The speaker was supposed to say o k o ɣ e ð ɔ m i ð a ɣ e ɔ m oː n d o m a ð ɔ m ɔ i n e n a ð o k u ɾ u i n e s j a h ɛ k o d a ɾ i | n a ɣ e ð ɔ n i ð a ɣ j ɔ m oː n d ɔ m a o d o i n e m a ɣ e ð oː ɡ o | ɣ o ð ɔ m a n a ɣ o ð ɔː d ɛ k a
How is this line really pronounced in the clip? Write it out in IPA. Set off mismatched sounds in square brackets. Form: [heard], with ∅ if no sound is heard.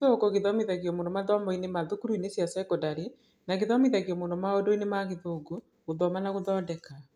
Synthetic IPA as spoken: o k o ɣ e ð ɔ m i ð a ɣ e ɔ m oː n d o m a ð ɔ m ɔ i n e [m] a ð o k u ɾ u i n e s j a [s] ɛ k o d a ɾ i | n a ɣ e ð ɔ [m] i ð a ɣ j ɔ m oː n d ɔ m a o d o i n e m a ɣ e ð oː ɡ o | ɣ o ð ɔ m a n a ɣ o ð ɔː d ɛ k a